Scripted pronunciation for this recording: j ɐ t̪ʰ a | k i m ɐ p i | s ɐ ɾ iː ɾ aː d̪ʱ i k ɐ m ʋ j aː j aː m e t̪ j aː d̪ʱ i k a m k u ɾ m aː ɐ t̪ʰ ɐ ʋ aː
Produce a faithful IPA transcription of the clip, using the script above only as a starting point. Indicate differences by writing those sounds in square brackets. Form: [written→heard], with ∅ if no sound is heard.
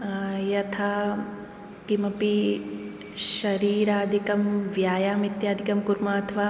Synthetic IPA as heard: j ɐ t̪ʰ a | k i m ɐ p i | [s→ʃ] ɐ ɾ iː ɾ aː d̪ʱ i k ɐ m ʋ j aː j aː m [e→i] t̪ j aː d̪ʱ i k [a→ɐ] m k u ɾ m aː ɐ t̪ʰ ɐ ʋ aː